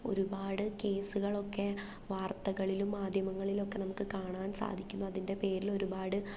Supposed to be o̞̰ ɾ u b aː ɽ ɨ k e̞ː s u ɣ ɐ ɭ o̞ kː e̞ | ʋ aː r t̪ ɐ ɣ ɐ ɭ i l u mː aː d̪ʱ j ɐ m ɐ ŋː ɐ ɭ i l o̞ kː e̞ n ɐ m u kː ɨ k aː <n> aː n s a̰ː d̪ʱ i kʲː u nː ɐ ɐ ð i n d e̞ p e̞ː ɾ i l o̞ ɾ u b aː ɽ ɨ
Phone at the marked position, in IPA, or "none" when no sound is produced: ɳ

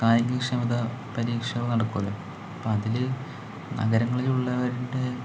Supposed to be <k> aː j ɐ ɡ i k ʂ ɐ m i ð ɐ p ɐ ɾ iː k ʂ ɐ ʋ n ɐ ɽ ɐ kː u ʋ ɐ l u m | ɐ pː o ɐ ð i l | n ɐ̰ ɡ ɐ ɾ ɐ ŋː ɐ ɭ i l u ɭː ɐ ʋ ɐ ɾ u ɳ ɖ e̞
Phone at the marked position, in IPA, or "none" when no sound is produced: k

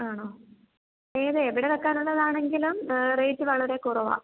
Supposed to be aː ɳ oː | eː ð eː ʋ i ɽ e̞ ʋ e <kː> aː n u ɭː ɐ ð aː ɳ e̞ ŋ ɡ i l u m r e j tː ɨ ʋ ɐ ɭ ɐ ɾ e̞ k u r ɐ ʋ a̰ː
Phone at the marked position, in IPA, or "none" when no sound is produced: kː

